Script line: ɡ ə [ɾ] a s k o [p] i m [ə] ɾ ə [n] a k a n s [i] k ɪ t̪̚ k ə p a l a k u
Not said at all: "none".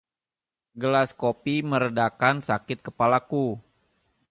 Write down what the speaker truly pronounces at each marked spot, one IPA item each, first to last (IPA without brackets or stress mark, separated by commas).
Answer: l, p, ə, d, a